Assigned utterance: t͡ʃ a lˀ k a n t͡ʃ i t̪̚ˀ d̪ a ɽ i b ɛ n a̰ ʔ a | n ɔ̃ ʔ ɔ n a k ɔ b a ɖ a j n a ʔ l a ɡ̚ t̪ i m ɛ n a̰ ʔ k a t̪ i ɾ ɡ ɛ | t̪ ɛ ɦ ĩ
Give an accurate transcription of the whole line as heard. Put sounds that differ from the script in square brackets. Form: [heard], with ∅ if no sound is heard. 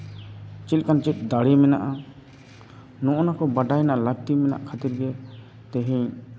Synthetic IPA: t͡ʃ [i] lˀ k a n t͡ʃ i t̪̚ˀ d̪ a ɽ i [m] ɛ n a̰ ʔ a | n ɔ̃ ʔ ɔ n a k ɔ b a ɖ a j n a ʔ l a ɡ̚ t̪ i m ɛ n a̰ ʔ [kʰ] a t̪ i ɾ ɡ ɛ | t̪ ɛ ɦ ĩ